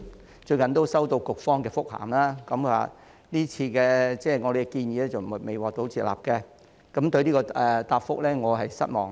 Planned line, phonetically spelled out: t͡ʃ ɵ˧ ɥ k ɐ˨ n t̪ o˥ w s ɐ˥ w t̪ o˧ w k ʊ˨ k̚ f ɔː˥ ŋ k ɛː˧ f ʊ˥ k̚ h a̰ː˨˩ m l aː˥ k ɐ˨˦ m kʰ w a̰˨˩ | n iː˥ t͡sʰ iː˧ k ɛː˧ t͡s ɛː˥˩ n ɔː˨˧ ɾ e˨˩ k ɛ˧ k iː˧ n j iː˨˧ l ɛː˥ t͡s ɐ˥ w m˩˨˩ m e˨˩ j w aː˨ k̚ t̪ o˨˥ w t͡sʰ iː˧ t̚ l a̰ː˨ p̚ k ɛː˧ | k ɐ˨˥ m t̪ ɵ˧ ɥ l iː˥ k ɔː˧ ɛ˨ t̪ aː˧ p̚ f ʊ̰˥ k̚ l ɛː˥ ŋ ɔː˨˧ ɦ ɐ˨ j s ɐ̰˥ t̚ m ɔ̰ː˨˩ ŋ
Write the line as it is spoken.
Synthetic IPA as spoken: t͡ʃ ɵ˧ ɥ k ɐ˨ n t̪ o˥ w s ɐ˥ w t̪ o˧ w k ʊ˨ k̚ f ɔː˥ ŋ k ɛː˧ f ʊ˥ k̚ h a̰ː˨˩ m l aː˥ k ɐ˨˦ m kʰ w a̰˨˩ | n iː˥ t͡sʰ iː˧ k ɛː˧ t͡s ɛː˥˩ ŋ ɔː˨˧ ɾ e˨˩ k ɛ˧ k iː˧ n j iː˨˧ l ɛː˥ t͡s ɐ˨ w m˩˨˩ m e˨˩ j w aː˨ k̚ t̪ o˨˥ w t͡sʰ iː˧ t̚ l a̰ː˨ p̚ k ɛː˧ | k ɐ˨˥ m t̪ ɵ˧ ɥ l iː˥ k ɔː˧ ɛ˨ t̪ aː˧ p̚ f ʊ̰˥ k̚ l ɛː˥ ŋ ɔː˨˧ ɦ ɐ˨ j s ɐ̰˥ t̚ m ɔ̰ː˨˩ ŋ